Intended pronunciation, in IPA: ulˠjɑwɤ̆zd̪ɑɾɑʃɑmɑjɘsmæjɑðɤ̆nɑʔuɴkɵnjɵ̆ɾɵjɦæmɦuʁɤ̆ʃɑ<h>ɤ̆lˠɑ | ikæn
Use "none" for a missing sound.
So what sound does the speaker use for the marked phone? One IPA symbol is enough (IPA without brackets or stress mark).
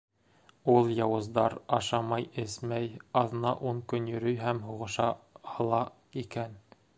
h